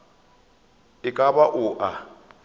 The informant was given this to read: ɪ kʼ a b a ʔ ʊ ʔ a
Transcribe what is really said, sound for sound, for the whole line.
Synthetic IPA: ɪ kʼ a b a ʔ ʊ ʔ a